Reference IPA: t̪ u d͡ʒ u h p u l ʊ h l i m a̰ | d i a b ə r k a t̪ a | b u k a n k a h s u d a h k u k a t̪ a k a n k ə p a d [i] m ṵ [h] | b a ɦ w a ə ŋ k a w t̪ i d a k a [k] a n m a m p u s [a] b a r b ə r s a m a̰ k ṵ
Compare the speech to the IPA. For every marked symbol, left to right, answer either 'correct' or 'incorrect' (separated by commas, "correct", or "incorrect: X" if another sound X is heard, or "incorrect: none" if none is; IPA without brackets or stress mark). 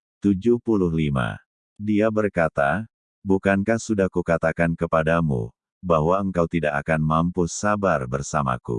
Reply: incorrect: a, incorrect: none, correct, correct